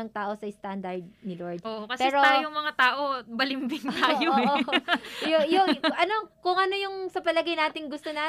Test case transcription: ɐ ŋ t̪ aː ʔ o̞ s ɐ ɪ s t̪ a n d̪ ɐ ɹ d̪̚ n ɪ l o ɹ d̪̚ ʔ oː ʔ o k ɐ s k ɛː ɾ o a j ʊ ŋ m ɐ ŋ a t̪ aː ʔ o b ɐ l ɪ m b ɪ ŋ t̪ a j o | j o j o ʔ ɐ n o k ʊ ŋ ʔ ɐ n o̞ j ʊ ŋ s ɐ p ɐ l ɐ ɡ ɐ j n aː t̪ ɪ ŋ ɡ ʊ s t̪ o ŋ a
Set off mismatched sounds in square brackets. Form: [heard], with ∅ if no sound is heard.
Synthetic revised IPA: ɐ ŋ t̪ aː ʔ o̞ s ɐ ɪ s t̪ a n d̪ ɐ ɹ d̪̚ n ɪ l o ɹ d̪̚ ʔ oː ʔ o k ɐ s [p] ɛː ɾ o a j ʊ ŋ m ɐ ŋ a t̪ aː ʔ o b ɐ l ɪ m b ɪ ŋ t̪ a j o | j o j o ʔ ɐ n o k ʊ ŋ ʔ ɐ n o̞ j ʊ ŋ s ɐ p ɐ l ɐ ɡ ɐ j n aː t̪ ɪ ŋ ɡ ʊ s t̪ o [n] a